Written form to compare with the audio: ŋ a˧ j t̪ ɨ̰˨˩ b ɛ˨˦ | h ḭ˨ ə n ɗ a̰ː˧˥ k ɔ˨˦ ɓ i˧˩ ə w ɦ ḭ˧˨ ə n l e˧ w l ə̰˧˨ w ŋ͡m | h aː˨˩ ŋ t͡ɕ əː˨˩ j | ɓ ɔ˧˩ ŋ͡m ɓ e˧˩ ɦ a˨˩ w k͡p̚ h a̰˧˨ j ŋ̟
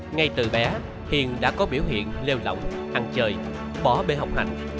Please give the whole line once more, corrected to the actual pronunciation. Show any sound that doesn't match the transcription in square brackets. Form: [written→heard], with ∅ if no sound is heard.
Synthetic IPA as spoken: ŋ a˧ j t̪ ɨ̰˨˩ [b→ɓ] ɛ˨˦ | h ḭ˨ ə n ɗ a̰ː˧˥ k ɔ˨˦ ɓ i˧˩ ə w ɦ ḭ˧˨ ə n l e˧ w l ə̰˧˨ w ŋ͡m | h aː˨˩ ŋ t͡ɕ əː˨˩ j | ɓ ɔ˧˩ [ŋ͡m→∅] ɓ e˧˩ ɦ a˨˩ w k͡p̚ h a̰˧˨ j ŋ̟